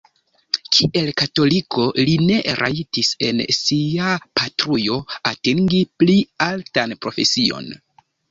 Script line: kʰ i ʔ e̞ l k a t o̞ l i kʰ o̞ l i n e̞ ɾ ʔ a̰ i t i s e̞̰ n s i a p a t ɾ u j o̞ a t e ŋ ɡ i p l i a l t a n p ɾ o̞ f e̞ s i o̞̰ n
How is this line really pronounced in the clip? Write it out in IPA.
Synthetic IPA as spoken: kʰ i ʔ e̞ l k a t o̞ l i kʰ o̞ l i n e̞ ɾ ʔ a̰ i t i s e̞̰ n s i a p a t ɾ u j o̞ a t e ŋ ɡ i p l i a l t a n p ɾ o̞ f e̞ s i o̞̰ n